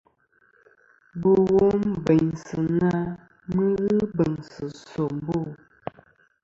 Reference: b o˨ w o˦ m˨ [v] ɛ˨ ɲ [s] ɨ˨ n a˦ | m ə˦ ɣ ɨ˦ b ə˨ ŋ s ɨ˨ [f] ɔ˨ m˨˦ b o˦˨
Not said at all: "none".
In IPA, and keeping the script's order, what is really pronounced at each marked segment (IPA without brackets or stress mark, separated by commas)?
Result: b, s, s